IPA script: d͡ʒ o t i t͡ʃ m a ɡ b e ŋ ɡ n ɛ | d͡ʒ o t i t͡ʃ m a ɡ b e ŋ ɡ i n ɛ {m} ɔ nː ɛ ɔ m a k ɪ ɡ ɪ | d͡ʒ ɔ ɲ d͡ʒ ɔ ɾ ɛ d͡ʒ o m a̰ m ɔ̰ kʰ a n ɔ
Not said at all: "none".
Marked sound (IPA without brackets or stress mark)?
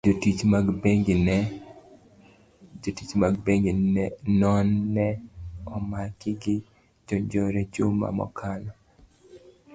n